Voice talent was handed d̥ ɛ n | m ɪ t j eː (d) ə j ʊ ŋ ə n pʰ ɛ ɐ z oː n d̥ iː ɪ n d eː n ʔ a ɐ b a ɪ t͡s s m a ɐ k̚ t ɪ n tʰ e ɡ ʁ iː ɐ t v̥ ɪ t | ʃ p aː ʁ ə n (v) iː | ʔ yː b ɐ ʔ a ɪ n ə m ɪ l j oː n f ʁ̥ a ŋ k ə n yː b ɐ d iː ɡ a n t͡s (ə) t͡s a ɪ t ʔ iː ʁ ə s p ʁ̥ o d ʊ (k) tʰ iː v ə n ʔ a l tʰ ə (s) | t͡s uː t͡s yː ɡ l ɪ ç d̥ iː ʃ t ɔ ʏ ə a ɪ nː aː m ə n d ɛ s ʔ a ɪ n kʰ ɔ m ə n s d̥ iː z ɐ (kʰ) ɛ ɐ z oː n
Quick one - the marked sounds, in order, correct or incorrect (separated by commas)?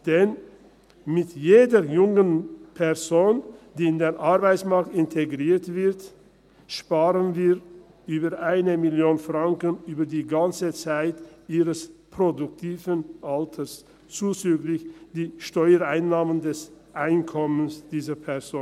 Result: correct, correct, correct, correct, correct, incorrect